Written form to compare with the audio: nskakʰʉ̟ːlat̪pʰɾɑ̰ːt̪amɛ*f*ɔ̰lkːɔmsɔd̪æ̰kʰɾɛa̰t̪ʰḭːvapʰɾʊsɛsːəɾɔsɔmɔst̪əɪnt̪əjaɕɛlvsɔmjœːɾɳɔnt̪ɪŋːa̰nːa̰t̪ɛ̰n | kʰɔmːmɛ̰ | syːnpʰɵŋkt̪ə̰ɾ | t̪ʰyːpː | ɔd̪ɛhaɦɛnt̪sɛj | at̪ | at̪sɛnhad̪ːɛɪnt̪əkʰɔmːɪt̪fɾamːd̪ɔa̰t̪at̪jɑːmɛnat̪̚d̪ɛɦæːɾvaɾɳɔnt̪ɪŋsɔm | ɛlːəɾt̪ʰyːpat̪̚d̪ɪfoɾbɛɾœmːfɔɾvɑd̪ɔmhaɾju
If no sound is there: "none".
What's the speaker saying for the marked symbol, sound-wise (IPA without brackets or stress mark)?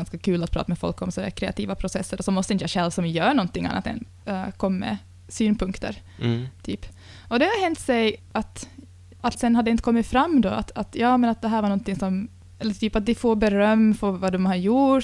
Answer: f